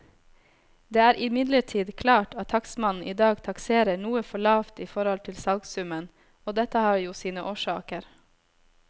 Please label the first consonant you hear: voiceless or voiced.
voiced